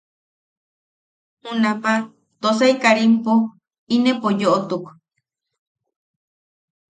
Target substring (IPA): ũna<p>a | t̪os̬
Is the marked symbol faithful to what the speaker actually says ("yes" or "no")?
yes